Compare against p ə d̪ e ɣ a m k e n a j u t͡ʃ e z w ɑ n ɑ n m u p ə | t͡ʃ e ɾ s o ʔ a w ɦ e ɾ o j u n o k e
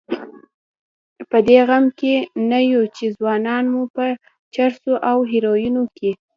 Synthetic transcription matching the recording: p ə d̪ e ɣ a m k e n a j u t͡ʃ e z w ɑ n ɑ n m u p ə | t͡ʃ a ɾ s o ʔ a w ɦ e ɾ o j u n o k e